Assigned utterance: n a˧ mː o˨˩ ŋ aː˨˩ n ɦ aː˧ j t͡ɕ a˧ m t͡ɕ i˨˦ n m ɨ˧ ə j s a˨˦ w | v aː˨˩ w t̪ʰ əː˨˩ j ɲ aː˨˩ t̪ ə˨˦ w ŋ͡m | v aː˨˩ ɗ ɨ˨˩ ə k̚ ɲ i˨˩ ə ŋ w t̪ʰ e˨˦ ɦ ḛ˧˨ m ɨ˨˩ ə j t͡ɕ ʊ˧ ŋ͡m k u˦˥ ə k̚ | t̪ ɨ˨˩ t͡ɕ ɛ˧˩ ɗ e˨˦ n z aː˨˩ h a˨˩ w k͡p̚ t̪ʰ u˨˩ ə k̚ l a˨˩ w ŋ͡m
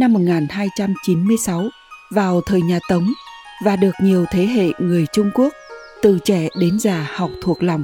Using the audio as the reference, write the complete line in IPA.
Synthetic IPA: n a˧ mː o˨˩ ŋ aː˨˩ n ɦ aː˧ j t͡ɕ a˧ m t͡ɕ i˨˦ n m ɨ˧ ə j s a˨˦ w | v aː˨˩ w t̪ʰ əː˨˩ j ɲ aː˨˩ t̪ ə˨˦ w ŋ͡m | v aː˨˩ ɗ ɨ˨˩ ə k̚ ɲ i˨˩ ə w t̪ʰ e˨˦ ɦ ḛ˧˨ ŋ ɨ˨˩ ə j t͡ɕ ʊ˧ ŋ͡m k u˦˥ ə k̚ | t̪ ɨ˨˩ t͡ɕ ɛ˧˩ ɗ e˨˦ n z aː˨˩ h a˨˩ w k͡p̚ t̪ʰ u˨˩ ə k̚ l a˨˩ w ŋ͡m